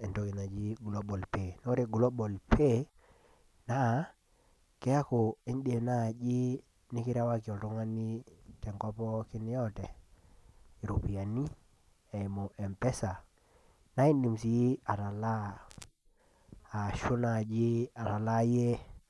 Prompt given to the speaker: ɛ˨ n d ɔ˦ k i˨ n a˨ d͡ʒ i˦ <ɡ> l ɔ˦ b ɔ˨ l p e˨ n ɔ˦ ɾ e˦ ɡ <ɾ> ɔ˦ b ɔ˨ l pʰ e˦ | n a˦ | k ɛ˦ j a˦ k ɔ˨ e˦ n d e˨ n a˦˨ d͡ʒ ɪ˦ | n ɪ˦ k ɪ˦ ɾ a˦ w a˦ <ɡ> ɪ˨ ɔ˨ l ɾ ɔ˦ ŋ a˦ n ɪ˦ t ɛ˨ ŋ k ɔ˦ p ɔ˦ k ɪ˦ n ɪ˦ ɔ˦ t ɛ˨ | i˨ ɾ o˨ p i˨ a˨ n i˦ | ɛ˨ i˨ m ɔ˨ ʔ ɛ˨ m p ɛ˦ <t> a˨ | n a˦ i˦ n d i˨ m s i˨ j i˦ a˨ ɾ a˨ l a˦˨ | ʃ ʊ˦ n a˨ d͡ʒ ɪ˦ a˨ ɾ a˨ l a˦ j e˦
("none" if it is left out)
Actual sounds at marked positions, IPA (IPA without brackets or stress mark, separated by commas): ɡ, l, k, s